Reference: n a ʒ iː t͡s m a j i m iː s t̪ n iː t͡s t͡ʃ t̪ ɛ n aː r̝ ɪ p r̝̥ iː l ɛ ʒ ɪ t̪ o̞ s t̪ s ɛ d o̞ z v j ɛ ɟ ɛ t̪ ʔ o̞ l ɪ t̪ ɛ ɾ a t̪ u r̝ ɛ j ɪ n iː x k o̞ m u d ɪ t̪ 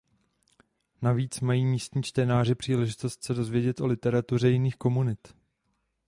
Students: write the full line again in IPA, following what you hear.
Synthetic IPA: n a v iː t͡s m a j iː m iː s t̪ ɲ iː t͡ʃ t̪ ɛ n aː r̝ ɪ p r̝̥ iː l ɛ ʒ ɪ t̪ o̞ s t̪ s ɛ d o̞ z v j ɛ ɟ ɛ t̪ ʔ o̞ l ɪ t̪ ɛ ɾ a t̪ u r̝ ɛ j ɪ n iː x k o̞ m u n ɪ t̪